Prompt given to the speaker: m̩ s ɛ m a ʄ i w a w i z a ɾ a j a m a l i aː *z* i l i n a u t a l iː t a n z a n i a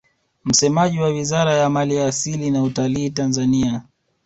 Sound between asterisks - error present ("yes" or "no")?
yes